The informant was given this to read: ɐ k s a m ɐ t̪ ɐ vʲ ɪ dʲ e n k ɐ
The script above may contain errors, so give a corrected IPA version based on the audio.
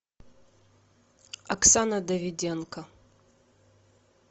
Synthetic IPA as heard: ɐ k s a n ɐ d̪ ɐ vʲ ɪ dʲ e n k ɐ